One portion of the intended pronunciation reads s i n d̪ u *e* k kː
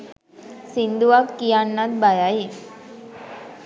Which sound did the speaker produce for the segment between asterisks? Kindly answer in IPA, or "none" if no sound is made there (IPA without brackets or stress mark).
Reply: a